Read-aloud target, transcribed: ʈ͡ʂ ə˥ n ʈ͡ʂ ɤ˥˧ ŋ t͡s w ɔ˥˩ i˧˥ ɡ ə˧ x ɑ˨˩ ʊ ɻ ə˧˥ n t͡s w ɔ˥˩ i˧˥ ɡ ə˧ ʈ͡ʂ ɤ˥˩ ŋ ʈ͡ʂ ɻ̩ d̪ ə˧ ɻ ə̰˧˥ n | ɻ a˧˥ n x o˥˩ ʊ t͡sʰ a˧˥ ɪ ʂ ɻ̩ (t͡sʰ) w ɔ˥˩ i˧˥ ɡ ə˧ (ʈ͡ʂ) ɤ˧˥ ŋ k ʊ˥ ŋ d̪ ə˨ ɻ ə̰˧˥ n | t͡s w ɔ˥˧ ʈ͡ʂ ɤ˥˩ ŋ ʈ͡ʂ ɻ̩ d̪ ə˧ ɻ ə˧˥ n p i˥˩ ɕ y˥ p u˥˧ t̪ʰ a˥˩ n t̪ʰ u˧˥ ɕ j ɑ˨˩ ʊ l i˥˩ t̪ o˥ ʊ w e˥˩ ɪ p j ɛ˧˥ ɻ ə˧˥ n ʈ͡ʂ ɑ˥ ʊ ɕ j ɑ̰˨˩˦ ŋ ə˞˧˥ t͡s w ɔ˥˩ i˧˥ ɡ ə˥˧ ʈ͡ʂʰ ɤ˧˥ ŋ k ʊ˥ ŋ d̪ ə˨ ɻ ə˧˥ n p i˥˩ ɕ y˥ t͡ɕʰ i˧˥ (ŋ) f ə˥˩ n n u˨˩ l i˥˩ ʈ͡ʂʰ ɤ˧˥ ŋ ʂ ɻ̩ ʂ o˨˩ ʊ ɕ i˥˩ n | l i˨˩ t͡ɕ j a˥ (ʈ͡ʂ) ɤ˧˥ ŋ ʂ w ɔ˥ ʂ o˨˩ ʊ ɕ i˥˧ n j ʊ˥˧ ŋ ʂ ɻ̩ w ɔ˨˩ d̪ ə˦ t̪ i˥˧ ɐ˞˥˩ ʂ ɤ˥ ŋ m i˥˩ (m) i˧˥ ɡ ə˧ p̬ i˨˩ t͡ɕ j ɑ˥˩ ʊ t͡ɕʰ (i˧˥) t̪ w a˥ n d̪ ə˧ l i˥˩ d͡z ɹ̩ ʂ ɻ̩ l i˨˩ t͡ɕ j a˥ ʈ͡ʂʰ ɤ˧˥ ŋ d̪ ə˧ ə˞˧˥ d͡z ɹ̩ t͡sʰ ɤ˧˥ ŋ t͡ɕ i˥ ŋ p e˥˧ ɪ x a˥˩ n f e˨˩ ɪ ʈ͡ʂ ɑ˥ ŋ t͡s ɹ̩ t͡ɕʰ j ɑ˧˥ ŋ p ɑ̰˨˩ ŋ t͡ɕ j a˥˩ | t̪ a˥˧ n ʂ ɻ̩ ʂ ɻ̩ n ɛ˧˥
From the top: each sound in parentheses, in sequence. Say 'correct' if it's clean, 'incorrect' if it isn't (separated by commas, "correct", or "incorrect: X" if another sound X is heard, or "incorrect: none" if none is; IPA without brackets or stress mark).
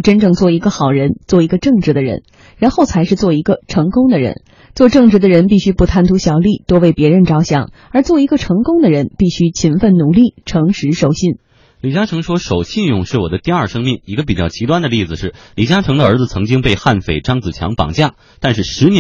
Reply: incorrect: t͡s, incorrect: ʈ͡ʂʰ, incorrect: n, incorrect: ʈ͡ʂʰ, incorrect: ŋ, correct